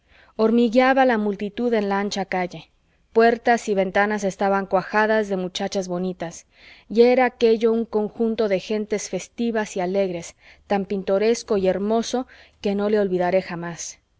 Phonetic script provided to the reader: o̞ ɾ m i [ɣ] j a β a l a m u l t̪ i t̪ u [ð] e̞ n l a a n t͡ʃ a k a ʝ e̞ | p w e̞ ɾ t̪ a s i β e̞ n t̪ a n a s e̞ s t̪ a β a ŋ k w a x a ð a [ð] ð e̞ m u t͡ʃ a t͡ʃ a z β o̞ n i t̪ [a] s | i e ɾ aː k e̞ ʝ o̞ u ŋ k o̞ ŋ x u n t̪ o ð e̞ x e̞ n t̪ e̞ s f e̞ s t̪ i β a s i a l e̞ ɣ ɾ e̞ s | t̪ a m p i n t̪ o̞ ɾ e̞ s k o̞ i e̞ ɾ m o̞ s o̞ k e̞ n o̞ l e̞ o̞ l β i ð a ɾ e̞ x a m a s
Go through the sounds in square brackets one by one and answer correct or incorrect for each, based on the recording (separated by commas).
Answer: correct, correct, incorrect, correct